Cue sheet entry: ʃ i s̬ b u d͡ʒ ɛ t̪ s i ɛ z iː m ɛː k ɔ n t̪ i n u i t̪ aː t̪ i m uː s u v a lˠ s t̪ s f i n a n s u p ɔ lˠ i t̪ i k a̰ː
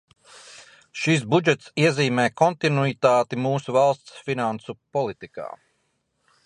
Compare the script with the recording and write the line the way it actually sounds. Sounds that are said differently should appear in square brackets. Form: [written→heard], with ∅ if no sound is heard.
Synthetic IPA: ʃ i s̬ b u d͡ʒ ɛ t̪ s i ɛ z iː m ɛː k ɔ n t̪ i n u i t̪ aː t̪ i m uː s u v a lˠ s t̪ s f i n a n s u p ɔ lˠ i t̪ i k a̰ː